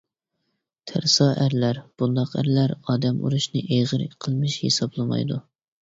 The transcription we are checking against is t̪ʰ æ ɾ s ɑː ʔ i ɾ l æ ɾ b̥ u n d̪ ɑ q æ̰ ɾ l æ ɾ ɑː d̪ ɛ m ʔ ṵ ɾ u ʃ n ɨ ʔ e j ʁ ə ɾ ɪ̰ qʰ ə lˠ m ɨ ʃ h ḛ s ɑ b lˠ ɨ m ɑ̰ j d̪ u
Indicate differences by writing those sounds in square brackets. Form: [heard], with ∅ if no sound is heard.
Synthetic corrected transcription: t̪ʰ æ ɾ s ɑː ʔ [æ] ɾ l æ ɾ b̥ u n d̪ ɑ q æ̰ ɾ l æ ɾ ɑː d̪ ɛ m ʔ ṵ ɾ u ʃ n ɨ ʔ e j ʁ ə ɾ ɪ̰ qʰ ə lˠ m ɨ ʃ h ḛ s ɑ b lˠ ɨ m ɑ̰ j d̪ u